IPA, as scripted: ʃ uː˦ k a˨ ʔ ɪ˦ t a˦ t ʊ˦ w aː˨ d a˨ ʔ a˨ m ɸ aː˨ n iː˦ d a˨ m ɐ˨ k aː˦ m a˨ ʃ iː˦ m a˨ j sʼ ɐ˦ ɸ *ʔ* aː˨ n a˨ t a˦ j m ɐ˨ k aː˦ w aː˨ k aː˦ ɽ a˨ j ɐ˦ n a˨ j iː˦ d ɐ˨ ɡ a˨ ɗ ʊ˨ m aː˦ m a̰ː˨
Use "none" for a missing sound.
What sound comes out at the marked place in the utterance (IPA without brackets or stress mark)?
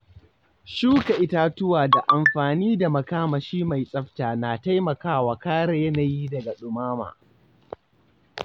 t